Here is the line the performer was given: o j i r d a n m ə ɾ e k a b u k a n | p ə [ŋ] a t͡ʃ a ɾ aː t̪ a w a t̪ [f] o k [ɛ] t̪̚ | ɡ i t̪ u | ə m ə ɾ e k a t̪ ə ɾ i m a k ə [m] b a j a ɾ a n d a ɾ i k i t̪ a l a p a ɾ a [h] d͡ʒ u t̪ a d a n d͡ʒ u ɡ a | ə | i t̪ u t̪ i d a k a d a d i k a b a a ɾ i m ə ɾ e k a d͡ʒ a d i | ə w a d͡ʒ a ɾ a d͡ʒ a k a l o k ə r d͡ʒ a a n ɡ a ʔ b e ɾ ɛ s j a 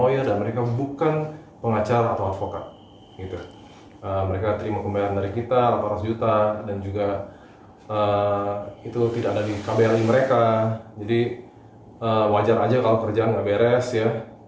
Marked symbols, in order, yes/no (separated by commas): yes, yes, no, yes, no